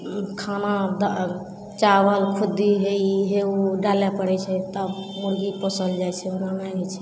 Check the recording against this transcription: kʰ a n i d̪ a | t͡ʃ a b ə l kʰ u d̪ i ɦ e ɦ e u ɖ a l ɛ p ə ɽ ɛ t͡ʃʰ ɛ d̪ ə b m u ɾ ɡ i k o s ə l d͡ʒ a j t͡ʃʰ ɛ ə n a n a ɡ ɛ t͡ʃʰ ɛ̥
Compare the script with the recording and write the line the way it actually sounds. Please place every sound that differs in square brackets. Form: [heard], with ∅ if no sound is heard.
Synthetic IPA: kʰ a n [a] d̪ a | t͡ʃ a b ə l kʰ u d̪ i ɦ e ɦ e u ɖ a l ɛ p ə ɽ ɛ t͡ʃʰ ɛ [t̪] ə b m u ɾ ɡ i [p] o s ə l d͡ʒ a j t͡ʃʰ ɛ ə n a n a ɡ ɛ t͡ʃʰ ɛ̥